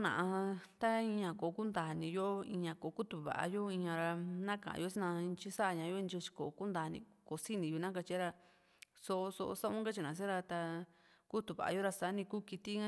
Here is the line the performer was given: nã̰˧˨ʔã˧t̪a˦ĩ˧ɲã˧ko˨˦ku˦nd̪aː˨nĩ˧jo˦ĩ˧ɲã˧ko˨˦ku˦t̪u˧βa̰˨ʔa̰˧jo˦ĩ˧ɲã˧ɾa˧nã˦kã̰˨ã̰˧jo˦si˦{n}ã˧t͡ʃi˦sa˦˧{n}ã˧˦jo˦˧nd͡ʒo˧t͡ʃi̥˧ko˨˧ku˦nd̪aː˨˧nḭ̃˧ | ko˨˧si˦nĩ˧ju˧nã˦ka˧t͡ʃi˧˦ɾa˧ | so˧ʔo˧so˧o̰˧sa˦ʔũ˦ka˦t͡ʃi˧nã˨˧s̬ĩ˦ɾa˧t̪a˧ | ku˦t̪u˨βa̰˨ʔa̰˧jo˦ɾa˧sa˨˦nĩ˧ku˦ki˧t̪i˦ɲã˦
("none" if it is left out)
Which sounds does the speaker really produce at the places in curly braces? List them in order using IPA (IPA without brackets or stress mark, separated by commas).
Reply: n, ɲ